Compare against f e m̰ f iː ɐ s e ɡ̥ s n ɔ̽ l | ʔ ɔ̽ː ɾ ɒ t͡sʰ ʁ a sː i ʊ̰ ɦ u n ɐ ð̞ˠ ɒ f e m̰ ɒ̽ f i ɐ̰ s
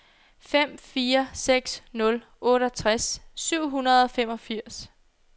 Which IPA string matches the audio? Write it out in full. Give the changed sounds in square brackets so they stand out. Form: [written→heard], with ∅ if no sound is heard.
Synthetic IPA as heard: f e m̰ f iː ɐ s e ɡ̥ s n ɔ̽ l | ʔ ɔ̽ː ɾ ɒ t͡sʰ ʁ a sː [i→y] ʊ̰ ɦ u n ɐ ð̞ˠ ɒ f e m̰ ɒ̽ f i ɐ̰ s